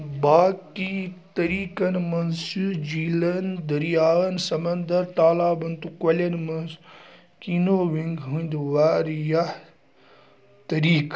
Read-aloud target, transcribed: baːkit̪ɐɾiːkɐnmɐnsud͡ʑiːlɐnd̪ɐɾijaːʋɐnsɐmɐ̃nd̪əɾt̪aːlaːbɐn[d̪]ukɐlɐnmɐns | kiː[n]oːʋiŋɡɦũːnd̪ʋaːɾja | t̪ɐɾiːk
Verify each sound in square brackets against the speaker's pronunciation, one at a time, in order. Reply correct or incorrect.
incorrect, correct

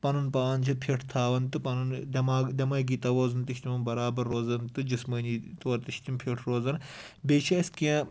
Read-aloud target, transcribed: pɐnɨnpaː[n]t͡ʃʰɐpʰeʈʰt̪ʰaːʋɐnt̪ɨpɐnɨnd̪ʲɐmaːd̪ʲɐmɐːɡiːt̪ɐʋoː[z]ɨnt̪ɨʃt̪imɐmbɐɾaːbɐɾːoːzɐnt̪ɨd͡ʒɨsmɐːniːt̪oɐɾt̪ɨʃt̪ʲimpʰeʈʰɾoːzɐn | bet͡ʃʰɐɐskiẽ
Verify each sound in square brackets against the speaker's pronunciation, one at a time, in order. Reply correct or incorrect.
correct, correct

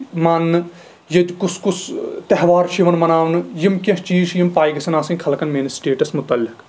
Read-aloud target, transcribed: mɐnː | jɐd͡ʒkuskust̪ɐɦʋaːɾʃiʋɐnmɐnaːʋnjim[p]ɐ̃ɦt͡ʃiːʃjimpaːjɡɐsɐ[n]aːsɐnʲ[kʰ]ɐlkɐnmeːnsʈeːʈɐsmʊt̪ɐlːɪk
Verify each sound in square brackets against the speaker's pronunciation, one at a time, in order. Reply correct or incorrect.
incorrect, correct, correct

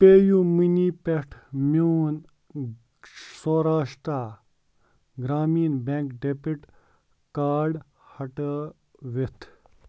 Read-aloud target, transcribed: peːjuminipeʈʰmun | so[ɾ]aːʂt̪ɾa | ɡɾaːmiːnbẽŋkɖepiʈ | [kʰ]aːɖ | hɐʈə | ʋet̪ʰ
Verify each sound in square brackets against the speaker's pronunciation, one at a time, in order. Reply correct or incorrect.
correct, incorrect

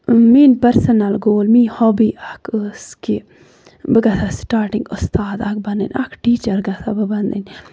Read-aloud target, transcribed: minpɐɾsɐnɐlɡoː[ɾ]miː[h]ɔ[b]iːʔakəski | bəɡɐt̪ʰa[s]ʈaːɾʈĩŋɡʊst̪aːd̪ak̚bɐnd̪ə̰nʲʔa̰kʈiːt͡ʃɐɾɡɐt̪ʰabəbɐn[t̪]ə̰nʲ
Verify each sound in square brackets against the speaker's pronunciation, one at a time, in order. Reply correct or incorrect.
incorrect, correct, correct, correct, incorrect

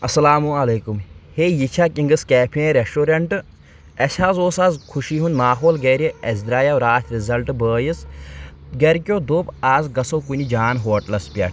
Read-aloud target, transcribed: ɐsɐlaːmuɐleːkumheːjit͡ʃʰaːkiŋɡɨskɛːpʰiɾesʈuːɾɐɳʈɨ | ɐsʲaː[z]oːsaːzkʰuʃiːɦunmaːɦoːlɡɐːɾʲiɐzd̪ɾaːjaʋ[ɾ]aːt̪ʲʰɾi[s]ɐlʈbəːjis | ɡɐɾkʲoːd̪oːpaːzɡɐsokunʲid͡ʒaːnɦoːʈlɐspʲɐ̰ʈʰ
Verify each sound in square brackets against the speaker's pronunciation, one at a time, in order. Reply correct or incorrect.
correct, correct, incorrect

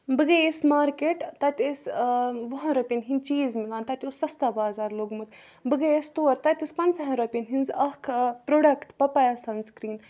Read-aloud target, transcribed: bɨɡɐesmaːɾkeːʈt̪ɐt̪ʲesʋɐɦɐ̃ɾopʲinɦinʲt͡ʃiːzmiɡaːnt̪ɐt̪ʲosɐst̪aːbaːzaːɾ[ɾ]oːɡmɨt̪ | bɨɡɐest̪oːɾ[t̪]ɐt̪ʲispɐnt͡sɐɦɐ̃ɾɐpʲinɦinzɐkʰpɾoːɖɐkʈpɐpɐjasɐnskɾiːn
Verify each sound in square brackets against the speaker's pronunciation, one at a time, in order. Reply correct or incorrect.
incorrect, correct

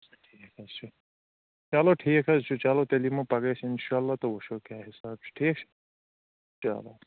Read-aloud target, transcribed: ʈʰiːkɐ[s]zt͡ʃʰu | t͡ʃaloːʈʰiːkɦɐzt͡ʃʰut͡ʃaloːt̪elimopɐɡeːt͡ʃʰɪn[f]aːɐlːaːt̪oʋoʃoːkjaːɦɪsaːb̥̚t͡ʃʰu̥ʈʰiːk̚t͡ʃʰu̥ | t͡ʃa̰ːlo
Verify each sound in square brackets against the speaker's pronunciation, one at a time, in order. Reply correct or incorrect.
incorrect, incorrect

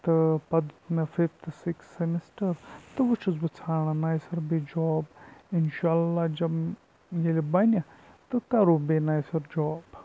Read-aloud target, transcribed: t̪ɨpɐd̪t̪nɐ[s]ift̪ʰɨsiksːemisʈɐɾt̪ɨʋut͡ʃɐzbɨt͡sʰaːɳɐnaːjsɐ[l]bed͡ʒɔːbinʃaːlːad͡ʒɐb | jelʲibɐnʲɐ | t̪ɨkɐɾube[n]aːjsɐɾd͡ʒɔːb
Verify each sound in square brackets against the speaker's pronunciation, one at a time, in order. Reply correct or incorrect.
incorrect, incorrect, correct

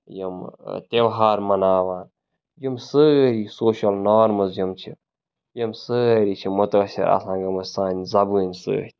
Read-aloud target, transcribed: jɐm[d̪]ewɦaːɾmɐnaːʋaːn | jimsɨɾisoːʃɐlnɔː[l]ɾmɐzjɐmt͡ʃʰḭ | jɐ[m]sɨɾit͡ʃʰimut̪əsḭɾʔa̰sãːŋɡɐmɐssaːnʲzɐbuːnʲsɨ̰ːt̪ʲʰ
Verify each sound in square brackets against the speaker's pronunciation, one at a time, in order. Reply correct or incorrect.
incorrect, incorrect, correct

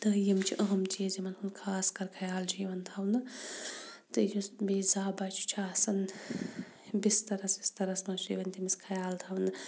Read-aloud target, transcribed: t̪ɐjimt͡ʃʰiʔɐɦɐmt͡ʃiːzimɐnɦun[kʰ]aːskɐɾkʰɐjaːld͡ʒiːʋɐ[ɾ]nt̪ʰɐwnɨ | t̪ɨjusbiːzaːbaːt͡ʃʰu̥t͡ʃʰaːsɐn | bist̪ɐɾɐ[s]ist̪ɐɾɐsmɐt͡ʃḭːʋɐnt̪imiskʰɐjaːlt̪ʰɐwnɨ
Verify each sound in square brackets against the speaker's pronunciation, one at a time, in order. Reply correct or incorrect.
correct, incorrect, correct

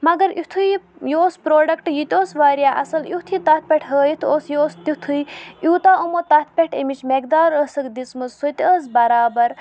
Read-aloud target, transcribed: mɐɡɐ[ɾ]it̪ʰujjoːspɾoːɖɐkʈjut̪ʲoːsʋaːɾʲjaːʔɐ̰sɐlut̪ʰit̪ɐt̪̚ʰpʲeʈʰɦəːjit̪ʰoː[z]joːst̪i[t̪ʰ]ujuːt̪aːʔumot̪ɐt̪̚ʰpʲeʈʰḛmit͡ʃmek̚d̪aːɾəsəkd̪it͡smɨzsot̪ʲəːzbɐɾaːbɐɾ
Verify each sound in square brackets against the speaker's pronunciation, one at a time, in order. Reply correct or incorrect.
correct, incorrect, correct

